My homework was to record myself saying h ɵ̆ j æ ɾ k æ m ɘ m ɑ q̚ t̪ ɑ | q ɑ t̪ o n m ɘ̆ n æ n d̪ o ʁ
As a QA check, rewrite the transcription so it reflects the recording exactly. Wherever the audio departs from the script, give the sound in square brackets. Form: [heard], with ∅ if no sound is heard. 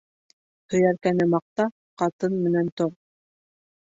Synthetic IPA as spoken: h ɵ̆ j æ ɾ k æ [n] ɘ m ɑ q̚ t̪ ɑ | q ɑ t̪ [ɤ] n m ɘ̆ n æ n [t̪] o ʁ